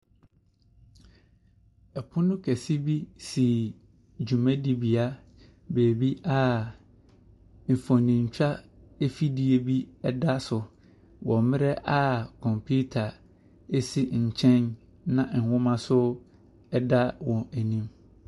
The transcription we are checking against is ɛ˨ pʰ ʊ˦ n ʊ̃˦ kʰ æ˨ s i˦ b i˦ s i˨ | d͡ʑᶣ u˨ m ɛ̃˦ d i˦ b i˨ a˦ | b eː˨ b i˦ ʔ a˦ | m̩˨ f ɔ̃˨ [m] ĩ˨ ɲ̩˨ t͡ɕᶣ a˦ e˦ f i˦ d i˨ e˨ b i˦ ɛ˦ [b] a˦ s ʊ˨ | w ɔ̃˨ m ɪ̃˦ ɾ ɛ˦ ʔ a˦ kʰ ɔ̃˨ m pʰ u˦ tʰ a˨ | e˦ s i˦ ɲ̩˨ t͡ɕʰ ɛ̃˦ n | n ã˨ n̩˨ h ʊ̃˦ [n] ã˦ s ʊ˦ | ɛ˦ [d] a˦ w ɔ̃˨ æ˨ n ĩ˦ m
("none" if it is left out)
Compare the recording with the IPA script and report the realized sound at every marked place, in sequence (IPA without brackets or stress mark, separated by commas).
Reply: n, d, m, d